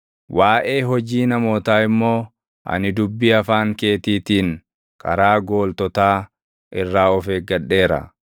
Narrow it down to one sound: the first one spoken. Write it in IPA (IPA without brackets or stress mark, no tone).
w